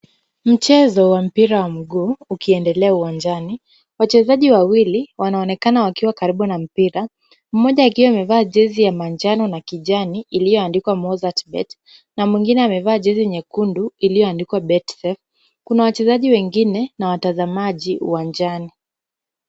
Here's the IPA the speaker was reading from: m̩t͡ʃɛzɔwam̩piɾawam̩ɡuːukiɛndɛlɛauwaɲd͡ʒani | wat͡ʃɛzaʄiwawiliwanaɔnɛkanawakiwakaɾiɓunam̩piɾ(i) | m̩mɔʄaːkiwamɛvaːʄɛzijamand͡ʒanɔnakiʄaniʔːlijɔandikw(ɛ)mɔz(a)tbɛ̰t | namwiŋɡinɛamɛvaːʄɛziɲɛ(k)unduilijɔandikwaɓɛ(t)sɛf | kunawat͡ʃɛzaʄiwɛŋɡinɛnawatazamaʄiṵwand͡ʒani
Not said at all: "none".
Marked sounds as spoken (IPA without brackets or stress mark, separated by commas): a, a, a, k, t